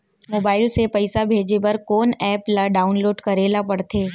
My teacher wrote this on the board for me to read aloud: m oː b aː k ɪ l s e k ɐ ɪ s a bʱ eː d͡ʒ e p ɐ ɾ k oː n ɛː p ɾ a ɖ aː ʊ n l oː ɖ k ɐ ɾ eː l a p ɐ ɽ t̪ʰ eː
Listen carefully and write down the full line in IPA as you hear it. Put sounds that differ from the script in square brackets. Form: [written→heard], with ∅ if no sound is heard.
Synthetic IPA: m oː b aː [k→∅] ɪ l s e [k→p] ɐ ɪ s a bʱ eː d͡ʒ e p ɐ ɾ k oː n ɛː p [ɾ→l] a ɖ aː ʊ n l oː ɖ k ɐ ɾ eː l a p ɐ ɽ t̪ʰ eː